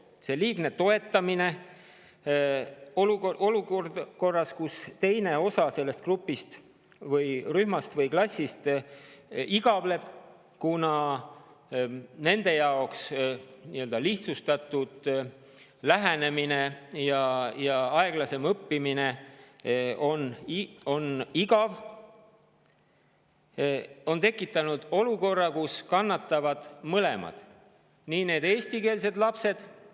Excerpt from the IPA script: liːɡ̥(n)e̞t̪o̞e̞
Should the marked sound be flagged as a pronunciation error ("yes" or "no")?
no